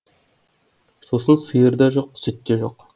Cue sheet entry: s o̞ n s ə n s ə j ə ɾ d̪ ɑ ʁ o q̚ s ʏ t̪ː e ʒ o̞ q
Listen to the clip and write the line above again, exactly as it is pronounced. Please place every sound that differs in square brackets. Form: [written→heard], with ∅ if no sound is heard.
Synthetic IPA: s o̞ [n→∅] s ə n s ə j ə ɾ d̪ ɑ [ʁ→ʒ] o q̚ s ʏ t̪ː e ʒ o̞ q